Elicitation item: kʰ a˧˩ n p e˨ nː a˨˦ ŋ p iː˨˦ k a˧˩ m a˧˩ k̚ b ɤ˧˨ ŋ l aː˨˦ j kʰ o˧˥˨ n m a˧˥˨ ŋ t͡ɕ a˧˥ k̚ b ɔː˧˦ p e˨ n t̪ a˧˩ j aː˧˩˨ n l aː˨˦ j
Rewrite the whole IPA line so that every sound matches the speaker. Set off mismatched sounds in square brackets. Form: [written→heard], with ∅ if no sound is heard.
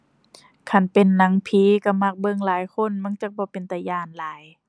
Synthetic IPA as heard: kʰ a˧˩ n p e˨ nː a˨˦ ŋ [p→pʰ] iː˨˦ k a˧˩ m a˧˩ k̚ b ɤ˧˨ ŋ l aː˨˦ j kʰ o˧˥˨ n m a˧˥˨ ŋ t͡ɕ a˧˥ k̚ b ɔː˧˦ p e˨ n t̪ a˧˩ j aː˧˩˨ n l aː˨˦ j